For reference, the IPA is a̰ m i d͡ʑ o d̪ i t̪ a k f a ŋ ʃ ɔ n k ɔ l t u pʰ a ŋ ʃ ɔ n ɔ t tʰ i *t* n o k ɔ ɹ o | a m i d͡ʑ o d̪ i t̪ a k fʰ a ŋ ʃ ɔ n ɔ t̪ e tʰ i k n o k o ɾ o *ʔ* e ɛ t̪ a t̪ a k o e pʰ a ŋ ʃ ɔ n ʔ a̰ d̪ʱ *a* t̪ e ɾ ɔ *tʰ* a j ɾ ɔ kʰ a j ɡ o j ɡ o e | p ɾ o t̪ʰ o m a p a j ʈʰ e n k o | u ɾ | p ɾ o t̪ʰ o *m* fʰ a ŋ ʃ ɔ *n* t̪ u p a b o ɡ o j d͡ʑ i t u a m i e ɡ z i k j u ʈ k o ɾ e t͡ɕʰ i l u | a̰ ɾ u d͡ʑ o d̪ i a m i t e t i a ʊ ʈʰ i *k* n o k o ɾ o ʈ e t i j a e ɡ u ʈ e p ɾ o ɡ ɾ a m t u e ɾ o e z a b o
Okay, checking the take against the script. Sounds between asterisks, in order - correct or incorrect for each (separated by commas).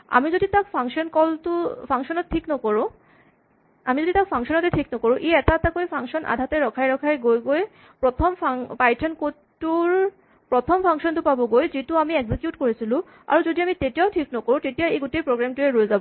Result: incorrect, correct, correct, incorrect, correct, correct, correct